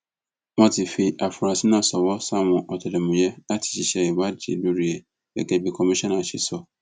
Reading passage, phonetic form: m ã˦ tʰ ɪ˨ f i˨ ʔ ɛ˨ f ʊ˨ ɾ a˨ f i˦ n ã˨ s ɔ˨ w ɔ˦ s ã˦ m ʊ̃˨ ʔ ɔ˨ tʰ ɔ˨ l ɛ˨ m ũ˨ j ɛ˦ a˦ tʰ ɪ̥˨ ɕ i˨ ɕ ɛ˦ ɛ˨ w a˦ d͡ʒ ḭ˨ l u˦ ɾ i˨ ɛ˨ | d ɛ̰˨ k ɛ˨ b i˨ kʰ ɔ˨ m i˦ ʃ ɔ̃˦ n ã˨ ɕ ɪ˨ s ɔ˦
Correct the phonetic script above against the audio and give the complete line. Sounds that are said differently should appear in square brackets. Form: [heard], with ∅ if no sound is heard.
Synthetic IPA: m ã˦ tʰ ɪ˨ f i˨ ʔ [a˨] f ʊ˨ ɾ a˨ [s] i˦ n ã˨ s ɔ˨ w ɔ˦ s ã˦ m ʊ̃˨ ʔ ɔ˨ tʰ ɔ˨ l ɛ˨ m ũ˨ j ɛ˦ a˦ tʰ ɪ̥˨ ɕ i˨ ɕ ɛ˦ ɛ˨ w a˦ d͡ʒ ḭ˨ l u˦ ɾ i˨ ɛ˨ | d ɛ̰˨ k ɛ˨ b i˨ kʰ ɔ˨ m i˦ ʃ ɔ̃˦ n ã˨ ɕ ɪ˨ s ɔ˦